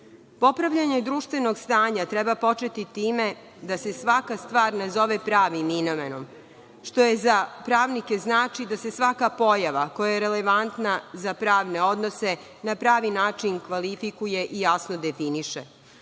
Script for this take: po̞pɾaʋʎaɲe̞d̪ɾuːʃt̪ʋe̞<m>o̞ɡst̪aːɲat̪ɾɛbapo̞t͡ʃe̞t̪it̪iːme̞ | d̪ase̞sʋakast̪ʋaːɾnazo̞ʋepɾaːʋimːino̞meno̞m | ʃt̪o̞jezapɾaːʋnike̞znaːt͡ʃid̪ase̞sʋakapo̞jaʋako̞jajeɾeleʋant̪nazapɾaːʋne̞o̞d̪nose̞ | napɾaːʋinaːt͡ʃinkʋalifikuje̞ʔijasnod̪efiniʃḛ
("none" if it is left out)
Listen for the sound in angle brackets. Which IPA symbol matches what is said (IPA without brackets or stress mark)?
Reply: n